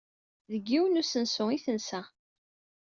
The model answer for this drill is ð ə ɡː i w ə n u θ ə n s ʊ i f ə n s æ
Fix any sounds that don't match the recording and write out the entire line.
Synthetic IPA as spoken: ð ə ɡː i w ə n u s ə n s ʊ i θ ə n s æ